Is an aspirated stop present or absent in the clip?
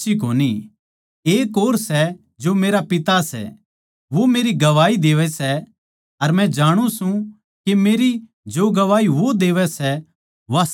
absent